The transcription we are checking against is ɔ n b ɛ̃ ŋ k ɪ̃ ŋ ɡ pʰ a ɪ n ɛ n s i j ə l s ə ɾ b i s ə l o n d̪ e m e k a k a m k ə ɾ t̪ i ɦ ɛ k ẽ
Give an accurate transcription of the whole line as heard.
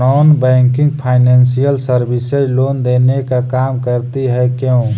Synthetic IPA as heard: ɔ n b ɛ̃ ŋ k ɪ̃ ŋ ɡ pʰ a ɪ n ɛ n s i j ə l s ə ɾ b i s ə l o n d̪ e n e k a k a m k ə ɾ t̪ i ɦ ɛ k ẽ